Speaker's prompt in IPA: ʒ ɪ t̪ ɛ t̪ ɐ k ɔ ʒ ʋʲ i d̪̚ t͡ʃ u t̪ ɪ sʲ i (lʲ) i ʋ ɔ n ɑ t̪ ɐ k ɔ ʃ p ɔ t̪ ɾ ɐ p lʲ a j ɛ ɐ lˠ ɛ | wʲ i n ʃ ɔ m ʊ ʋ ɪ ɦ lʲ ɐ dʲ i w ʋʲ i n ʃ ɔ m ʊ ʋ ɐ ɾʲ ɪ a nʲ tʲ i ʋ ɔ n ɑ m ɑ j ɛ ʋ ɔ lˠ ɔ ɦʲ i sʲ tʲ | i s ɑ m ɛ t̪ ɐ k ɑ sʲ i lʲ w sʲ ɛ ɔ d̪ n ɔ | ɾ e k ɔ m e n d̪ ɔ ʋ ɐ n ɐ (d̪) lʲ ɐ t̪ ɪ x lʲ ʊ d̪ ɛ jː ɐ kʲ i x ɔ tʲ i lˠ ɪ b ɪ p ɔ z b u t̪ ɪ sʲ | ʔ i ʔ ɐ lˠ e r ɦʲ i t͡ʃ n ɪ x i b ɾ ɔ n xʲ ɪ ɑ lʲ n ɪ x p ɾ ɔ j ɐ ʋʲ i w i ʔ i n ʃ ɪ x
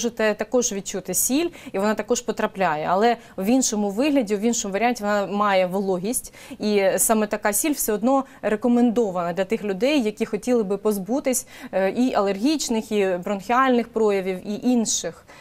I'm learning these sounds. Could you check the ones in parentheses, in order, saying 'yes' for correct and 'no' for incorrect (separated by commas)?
yes, yes